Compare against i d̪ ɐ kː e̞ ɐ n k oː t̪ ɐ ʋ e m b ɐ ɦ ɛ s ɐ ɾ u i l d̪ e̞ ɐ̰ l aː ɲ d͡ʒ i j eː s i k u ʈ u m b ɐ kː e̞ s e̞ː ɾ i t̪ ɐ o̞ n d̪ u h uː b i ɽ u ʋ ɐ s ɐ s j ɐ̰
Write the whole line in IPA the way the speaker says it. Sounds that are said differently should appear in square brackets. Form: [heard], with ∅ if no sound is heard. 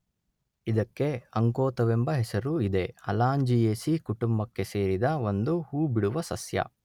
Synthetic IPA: i d̪ ɐ kː e̞ ɐ [ŋ] k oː t̪ ɐ ʋ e m b ɐ ɦ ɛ s ɐ ɾ u i [∅] d̪ e̞ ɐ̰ l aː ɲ d͡ʒ i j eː s i k u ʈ u m b ɐ kː e̞ s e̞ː ɾ i [d̪] ɐ o̞ n d̪ u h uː b i ɽ u ʋ ɐ s ɐ s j ɐ̰